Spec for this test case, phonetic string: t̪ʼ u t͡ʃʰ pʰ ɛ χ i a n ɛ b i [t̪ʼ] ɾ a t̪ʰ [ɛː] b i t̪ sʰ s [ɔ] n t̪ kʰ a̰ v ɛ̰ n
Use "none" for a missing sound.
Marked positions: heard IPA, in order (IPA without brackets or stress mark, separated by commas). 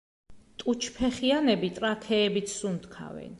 t̪ʼ, ɛː, u